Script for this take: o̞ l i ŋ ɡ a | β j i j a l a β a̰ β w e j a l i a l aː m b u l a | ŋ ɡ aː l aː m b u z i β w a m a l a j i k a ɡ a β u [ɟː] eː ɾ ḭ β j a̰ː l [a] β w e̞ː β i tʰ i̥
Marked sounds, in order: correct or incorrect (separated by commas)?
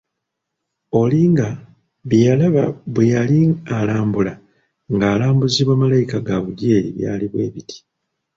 incorrect, incorrect